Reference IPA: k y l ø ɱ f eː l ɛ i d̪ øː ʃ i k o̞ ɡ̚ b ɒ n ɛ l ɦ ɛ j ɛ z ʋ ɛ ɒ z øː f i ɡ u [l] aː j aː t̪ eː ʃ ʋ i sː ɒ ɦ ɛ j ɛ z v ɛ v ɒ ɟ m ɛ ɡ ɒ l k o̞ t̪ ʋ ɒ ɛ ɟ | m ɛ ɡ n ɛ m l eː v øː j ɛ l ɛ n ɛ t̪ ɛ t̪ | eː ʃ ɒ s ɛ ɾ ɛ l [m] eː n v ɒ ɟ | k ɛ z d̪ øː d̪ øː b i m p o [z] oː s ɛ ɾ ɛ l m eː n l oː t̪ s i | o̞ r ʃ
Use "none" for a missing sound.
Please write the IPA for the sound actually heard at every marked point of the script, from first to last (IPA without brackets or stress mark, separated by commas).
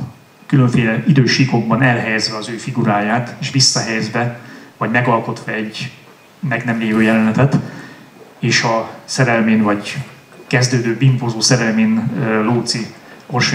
ɾ, m, z